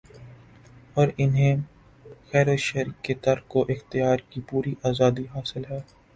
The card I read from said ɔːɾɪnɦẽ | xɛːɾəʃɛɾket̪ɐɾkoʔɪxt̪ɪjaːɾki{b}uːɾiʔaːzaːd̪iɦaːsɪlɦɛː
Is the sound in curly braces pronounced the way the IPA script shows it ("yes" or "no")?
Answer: no